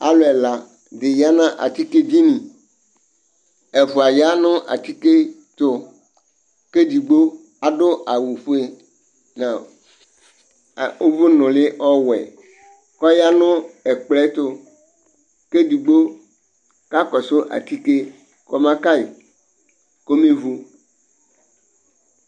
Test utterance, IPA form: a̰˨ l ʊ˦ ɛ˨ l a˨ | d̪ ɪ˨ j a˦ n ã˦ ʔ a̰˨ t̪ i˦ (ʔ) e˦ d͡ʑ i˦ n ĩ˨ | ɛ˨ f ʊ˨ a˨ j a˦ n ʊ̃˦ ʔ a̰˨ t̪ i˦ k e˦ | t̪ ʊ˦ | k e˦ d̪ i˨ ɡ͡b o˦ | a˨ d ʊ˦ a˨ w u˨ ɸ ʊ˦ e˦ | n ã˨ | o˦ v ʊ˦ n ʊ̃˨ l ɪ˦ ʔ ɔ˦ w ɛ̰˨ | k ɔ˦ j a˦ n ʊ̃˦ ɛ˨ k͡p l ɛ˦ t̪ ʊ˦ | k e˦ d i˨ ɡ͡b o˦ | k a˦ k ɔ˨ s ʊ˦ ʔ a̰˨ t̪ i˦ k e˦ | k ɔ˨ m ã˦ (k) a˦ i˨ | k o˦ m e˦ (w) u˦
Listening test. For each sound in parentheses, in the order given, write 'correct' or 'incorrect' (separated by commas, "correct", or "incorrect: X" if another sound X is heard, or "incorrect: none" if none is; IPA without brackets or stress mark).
incorrect: k, correct, incorrect: v